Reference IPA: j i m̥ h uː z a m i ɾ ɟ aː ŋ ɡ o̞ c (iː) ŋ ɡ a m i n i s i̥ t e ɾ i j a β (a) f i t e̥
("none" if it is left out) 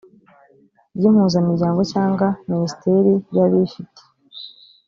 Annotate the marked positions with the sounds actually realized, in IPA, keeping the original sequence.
aː, i

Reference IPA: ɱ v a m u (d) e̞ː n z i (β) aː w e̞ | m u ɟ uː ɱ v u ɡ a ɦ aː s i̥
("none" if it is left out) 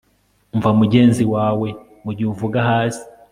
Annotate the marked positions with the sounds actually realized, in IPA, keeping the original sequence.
ɟ, w

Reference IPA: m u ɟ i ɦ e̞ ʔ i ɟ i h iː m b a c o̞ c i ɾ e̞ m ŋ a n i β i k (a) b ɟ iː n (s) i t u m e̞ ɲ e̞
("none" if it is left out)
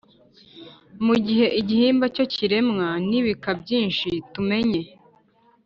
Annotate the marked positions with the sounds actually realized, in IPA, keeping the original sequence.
a, ʃ

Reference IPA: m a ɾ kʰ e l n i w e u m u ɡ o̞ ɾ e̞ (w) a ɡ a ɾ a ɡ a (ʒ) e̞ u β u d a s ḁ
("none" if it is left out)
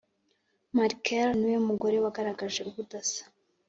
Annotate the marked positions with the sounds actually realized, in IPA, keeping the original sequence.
w, ʒ

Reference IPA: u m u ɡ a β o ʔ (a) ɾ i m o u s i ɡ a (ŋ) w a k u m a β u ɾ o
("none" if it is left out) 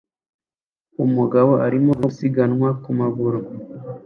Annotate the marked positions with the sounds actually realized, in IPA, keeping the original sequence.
a, n

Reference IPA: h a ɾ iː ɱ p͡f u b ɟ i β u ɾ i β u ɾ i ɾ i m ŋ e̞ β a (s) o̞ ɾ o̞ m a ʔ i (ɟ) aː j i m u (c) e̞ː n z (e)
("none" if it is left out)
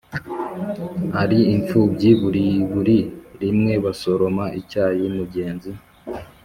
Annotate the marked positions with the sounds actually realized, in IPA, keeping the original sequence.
s, c, ɟ, i

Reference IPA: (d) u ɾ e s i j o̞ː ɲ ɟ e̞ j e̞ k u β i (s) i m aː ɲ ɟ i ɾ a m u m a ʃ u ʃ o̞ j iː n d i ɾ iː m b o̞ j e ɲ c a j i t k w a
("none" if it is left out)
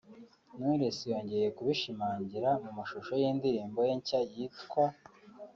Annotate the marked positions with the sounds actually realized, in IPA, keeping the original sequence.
n, ʃ

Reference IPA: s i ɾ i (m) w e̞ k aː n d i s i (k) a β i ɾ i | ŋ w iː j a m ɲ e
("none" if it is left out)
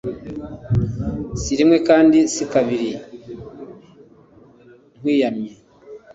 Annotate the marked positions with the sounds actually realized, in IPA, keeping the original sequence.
m, k

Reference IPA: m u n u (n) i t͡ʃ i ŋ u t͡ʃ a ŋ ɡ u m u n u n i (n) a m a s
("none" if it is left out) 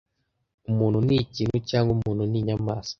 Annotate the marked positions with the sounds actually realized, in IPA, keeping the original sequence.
n, ɲ

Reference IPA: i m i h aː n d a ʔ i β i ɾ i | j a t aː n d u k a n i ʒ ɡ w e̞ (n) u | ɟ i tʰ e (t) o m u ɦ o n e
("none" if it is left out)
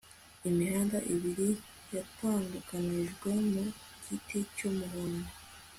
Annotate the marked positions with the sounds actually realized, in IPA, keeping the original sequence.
m, c

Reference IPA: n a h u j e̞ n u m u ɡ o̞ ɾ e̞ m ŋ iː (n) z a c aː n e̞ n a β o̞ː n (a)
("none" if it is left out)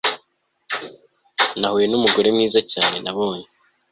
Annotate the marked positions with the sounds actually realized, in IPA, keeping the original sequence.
none, e

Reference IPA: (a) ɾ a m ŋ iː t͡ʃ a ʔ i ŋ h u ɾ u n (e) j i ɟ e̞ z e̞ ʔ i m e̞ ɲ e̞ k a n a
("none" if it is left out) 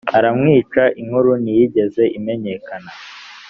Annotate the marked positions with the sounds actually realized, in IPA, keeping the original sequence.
a, i

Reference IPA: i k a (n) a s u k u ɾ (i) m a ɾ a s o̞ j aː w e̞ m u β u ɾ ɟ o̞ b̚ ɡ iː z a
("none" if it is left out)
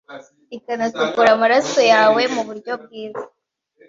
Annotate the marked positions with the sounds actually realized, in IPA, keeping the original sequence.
n, a

